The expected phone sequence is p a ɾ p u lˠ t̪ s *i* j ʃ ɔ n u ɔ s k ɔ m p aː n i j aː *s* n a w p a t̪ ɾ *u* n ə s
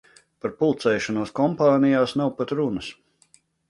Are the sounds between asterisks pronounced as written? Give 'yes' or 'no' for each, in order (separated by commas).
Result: no, yes, yes